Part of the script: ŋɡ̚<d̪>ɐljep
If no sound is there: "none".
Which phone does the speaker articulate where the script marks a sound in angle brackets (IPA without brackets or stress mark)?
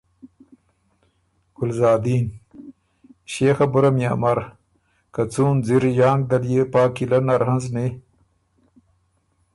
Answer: d̪